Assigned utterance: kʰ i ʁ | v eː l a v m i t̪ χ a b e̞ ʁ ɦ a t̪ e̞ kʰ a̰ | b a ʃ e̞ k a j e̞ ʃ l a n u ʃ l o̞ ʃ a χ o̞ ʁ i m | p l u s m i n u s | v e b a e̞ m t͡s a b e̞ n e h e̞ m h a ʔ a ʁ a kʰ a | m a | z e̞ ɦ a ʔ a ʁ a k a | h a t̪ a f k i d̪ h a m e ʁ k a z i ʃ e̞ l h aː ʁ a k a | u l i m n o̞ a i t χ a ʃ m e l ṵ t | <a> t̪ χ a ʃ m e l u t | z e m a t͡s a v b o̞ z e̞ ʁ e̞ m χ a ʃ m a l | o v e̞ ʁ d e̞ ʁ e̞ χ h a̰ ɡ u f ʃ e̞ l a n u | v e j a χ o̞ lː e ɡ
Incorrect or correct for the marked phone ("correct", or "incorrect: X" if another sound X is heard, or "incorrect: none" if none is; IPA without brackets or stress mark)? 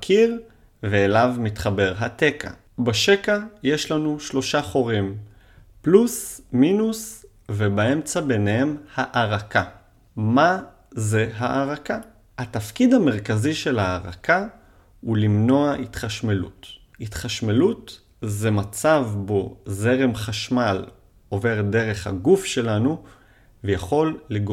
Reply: incorrect: i